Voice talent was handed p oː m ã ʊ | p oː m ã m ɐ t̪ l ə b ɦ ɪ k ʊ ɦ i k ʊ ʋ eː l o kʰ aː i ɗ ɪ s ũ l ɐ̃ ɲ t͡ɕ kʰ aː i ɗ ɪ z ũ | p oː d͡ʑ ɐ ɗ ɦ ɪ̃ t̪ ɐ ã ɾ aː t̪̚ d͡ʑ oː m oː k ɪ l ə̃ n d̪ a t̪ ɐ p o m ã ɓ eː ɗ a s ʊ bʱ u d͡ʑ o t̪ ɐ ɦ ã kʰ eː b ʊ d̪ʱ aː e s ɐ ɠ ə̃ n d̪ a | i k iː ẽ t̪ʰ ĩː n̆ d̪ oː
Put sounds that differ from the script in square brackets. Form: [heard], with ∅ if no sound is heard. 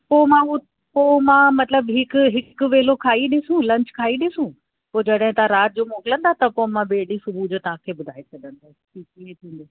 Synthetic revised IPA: p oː m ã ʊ | p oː m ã m ɐ t̪ l ə b ɦ ɪ k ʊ ɦ [ɪ] k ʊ ʋ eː l o kʰ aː i ɗ ɪ s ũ l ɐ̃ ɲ t͡ɕ kʰ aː i ɗ ɪ [s] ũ | p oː d͡ʑ ɐ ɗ ɦ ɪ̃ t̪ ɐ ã ɾ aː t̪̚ d͡ʑ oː m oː k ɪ l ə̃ n d̪ a t̪ ɐ p o m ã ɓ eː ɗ [i] s ʊ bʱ u d͡ʑ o t̪ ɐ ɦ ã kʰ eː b ʊ d̪ʱ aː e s ɐ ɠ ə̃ n d̪ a | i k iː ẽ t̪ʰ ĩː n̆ d̪ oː